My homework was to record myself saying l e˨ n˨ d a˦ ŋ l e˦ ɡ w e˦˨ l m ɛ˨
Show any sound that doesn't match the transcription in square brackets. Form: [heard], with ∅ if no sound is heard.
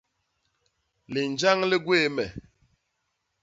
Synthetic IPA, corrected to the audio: l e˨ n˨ [d͡ʒ] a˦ ŋ l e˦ ɡ w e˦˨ [∅] m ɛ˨